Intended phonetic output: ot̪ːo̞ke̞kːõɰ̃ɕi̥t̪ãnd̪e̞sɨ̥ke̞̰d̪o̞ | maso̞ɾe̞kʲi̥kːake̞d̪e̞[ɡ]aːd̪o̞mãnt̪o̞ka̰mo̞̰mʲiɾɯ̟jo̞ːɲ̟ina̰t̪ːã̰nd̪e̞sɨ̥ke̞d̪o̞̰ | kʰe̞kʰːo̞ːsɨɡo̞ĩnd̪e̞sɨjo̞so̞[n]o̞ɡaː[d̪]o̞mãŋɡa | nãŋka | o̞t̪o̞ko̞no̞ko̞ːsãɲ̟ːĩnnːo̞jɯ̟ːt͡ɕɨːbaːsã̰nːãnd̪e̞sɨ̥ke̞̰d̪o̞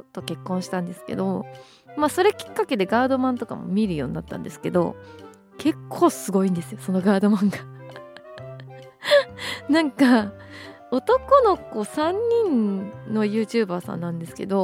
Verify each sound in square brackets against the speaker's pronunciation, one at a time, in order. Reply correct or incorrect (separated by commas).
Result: correct, correct, correct